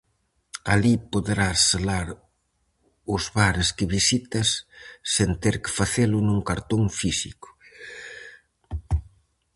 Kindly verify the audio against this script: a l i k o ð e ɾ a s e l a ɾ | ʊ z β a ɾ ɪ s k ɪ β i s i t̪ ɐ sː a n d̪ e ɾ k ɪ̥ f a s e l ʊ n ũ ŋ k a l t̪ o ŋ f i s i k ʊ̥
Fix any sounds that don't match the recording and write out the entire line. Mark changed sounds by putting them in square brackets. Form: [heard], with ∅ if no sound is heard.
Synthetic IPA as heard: a l i [p] o ð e ɾ a s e l a ɾ | ʊ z β a ɾ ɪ s k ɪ β i s i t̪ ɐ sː [e] n [t̪] e ɾ k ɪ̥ f a [θ] e l ʊ n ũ ŋ k a [ɾ] t̪ o ŋ f i s i k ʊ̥